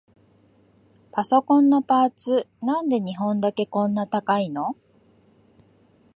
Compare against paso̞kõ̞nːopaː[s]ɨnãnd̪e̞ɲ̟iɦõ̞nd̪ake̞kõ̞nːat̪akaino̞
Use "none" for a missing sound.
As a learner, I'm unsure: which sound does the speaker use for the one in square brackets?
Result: t͡s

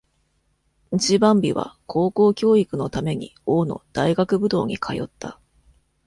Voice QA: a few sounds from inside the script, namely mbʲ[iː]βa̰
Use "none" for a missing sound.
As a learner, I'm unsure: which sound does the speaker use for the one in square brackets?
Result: i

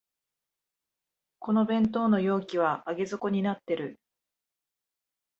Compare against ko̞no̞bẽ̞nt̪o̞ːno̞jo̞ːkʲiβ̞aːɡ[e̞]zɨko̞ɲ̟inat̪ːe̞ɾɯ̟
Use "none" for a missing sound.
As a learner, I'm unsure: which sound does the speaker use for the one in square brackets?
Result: e̞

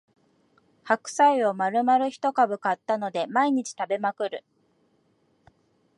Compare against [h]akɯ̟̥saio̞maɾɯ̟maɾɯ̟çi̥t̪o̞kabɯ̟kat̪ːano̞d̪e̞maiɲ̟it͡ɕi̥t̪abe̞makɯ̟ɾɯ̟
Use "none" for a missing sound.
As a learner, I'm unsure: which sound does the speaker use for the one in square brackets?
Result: h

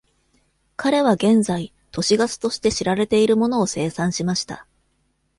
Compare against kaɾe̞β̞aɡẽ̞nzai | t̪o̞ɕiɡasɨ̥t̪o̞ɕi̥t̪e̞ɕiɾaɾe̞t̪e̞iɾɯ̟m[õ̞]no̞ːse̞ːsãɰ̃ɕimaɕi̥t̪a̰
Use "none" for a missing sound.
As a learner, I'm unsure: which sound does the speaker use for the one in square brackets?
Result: o̞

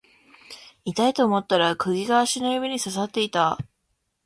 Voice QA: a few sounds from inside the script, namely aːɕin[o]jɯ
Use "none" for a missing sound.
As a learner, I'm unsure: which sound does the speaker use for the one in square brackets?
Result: o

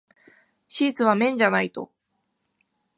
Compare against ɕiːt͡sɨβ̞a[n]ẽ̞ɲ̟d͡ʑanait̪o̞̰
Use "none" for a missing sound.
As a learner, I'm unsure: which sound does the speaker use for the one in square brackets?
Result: m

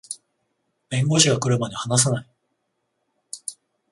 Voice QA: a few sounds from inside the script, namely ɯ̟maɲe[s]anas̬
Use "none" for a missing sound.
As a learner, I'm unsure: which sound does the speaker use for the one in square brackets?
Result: h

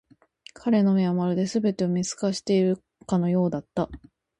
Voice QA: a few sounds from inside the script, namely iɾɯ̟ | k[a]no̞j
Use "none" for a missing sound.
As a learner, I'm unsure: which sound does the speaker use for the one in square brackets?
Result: a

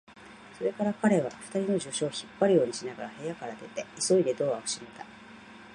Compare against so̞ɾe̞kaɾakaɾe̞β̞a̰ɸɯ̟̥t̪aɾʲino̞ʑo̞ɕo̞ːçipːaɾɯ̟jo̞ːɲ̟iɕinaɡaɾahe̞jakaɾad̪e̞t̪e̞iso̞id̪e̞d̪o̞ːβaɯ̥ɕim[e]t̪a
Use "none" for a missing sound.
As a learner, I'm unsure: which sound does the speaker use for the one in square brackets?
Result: e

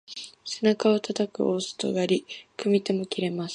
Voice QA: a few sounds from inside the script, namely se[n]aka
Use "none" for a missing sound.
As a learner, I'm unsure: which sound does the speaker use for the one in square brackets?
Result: n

